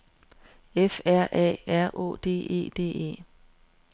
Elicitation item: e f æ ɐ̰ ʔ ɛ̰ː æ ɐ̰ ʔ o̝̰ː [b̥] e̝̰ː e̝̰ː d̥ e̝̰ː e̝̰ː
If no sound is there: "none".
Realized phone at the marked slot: d̥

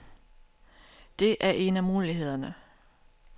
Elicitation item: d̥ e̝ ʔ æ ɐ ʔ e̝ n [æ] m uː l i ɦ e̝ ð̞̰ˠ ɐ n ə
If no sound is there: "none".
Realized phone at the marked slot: æ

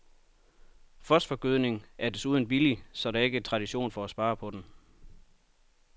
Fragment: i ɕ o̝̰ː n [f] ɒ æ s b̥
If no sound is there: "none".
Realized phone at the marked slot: f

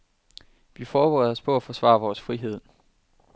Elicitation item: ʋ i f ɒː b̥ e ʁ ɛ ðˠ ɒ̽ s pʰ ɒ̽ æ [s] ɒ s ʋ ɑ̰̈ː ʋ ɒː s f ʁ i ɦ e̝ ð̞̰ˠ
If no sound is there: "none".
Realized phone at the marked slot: f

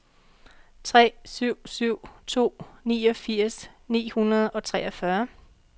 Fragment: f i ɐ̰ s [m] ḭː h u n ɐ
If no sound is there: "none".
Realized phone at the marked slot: n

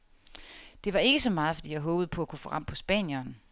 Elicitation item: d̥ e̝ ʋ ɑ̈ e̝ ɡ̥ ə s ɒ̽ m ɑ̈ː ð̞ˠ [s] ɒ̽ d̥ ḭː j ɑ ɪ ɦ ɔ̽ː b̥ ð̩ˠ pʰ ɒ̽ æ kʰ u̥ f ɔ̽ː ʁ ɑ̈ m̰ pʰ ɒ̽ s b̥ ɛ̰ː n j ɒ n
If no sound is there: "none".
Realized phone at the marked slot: f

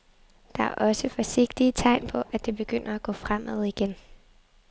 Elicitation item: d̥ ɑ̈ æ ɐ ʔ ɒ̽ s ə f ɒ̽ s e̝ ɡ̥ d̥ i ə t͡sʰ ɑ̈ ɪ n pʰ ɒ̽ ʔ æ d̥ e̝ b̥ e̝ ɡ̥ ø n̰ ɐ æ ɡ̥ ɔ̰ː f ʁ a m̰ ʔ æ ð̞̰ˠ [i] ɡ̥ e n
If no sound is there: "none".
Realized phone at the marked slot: i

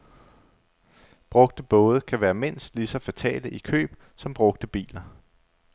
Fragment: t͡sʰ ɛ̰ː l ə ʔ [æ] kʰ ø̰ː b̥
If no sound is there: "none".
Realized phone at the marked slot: i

